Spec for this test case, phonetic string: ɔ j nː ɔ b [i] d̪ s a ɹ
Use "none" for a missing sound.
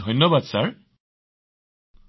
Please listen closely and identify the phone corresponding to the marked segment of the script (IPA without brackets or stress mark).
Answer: a